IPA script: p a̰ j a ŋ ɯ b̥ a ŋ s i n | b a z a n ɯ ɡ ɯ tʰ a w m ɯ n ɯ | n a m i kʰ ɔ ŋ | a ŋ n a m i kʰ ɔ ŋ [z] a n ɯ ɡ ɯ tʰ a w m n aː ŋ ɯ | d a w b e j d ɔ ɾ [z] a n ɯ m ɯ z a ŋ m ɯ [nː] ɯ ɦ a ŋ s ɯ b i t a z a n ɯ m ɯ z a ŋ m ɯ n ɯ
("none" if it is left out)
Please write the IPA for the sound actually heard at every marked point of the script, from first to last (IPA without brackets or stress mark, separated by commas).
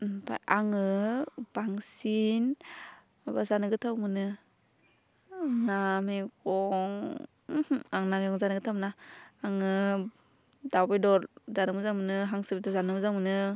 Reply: z, z, n